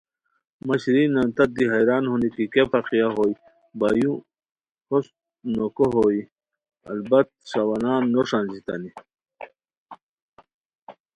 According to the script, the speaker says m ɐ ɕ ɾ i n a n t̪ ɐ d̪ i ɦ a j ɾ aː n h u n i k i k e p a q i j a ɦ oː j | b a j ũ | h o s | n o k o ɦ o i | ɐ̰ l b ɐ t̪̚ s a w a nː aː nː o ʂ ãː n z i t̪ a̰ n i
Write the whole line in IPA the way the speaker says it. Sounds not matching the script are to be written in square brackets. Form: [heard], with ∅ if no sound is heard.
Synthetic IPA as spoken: m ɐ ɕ ɾ i n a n t̪ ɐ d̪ i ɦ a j ɾ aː n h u n i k i k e p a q i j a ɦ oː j | b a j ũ | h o s | n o k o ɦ o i | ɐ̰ l b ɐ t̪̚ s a w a [n] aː nː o ʂ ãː n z i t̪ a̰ n i